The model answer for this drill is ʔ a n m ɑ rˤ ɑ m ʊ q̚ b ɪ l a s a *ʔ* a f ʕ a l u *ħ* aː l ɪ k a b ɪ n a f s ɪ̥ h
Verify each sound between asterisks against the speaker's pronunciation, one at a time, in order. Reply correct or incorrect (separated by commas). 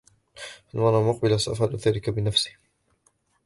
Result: correct, incorrect